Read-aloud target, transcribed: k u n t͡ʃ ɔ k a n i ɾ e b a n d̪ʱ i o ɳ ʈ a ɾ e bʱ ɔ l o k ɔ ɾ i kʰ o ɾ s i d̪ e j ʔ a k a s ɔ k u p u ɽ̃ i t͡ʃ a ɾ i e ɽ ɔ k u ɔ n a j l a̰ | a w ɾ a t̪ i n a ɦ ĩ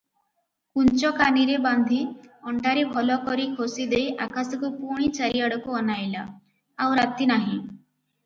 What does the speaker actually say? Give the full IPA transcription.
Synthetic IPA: k u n t͡ʃ ɔ k a n i ɾ e b a n d̪ʱ i ɔ ɳ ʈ a ɾ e bʱ ɔ l ɔ k ɔ ɾ i kʰ o s i d̪ e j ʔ a k a s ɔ k u p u ɽ̃ i t͡ʃ a ɾ i a ɽ ɔ k u ɔ n a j l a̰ | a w ɾ a t̪ i n a ɦ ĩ